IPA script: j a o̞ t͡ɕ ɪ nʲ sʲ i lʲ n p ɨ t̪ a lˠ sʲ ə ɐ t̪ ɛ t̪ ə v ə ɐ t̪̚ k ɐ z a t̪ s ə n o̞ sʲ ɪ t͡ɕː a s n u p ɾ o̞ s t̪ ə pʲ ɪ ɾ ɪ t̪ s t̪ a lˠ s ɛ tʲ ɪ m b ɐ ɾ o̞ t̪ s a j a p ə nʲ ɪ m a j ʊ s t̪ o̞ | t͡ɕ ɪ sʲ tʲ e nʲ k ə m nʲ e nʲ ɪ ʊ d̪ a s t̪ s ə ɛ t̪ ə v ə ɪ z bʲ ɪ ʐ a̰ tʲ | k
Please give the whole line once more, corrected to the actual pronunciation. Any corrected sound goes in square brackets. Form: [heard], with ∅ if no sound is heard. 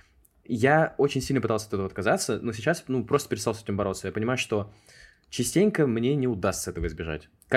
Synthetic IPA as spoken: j a o̞ t͡ɕ ɪ nʲ sʲ i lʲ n p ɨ t̪ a lˠ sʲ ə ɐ t̪ ɛ t̪ ə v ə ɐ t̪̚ k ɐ z a t̪ s ə n o̞ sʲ ɪ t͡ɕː a s n u p ɾ o̞ s t̪ ə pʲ ɪ ɾ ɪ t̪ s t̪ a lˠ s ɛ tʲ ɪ m b ɐ ɾ o̞ t̪ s [ə] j a p ə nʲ ɪ m a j ʊ [ʂ] t̪ o̞ | t͡ɕ ɪ sʲ tʲ e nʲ k ə m nʲ e nʲ ɪ ʊ d̪ a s t̪ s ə ɛ t̪ ə v ə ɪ z bʲ ɪ ʐ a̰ tʲ | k